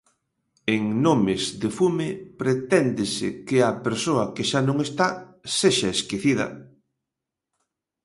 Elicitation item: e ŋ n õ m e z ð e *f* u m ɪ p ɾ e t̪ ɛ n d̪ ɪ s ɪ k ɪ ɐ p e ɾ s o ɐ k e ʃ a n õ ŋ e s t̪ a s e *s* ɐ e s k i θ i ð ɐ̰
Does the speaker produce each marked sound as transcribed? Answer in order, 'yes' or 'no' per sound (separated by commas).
yes, no